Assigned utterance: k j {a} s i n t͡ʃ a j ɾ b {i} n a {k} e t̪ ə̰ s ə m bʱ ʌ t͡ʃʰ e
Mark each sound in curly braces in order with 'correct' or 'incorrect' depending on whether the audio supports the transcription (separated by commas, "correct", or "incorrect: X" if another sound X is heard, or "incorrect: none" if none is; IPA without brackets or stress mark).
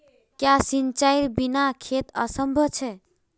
correct, correct, incorrect: kʰ